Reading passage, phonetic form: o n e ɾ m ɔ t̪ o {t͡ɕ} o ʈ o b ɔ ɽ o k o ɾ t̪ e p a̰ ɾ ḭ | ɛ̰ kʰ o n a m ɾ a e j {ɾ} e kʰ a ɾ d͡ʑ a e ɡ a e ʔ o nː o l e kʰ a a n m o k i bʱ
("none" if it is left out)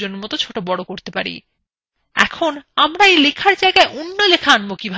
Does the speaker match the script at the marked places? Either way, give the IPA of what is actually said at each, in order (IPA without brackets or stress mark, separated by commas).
t͡ɕʰ, l